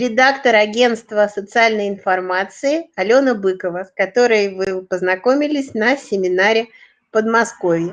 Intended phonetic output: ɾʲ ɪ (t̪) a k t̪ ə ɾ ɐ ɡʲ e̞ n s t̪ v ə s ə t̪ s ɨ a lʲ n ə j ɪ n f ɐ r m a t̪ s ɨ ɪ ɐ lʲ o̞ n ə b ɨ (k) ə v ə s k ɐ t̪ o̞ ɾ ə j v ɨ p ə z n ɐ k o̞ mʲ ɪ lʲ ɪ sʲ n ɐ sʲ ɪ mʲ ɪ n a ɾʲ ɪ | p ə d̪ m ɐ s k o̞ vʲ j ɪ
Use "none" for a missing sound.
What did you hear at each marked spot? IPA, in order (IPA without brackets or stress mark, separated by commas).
d̪, k